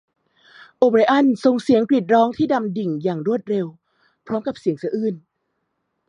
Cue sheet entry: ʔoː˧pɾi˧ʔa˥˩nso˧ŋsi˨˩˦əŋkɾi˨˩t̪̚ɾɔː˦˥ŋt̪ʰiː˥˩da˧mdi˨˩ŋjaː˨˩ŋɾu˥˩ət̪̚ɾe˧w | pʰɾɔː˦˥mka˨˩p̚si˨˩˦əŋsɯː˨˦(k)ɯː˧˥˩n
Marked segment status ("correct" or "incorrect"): incorrect